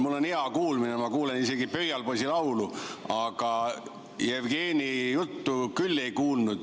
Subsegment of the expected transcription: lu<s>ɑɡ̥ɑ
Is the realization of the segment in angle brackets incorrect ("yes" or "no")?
yes